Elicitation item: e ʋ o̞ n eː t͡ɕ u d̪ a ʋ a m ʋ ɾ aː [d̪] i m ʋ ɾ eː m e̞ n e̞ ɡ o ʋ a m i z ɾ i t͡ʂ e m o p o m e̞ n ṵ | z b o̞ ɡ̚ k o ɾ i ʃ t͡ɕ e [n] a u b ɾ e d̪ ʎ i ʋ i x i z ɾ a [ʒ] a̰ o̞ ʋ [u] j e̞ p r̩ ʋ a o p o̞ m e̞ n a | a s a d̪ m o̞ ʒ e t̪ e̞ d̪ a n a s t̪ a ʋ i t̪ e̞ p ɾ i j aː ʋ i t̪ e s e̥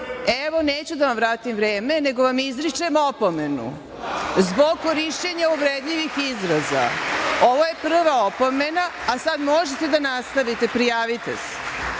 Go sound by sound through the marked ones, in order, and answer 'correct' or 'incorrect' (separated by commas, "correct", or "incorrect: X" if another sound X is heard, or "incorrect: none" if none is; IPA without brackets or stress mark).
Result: incorrect: t̪, incorrect: ɲ, incorrect: z, incorrect: o